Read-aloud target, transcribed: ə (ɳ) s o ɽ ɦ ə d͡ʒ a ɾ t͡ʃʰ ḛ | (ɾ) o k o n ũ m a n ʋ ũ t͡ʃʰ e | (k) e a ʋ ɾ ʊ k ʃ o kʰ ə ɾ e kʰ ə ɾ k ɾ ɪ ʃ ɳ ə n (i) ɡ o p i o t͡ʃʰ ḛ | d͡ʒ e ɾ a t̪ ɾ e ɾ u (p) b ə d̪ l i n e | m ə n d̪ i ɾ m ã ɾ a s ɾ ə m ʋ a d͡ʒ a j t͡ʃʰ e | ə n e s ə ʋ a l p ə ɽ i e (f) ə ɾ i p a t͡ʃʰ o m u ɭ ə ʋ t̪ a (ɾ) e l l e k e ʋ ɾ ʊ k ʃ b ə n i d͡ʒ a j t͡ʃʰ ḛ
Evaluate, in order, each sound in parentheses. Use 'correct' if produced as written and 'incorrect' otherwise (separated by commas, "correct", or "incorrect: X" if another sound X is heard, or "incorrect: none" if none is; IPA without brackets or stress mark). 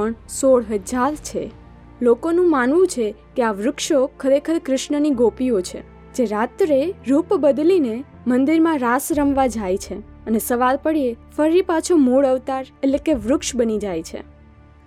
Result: correct, incorrect: l, correct, correct, correct, correct, correct